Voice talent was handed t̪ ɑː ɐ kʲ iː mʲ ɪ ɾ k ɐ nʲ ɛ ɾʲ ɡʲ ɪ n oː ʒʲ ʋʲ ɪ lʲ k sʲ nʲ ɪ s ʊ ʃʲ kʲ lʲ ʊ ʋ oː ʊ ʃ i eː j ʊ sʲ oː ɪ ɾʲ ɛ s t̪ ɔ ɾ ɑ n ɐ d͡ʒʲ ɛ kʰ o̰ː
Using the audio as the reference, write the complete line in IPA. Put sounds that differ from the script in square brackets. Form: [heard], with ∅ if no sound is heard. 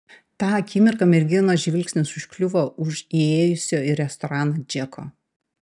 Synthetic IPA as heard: t̪ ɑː ɐ kʲ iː mʲ ɪ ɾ k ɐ [mʲ] ɛ ɾʲ ɡʲ ɪ n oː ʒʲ ʋʲ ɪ lʲ k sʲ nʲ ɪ s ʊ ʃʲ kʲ lʲ ʊ ʋ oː ʊ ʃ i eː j ʊ sʲ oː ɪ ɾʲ ɛ s t̪ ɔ ɾ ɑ n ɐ d͡ʒʲ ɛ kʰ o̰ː